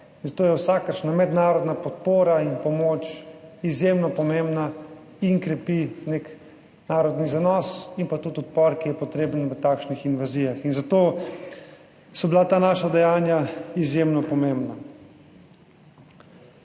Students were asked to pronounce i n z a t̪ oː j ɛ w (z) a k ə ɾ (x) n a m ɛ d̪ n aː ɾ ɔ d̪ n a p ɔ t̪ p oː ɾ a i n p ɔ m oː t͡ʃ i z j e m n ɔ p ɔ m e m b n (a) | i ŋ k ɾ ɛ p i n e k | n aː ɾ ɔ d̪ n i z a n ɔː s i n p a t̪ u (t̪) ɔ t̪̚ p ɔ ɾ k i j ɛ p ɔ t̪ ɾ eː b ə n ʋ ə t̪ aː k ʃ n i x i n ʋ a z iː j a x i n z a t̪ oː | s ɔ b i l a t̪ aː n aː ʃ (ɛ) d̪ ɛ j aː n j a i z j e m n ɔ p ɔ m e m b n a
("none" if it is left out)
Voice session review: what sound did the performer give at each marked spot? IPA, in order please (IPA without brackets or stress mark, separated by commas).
s, ʃ, a, t̪, a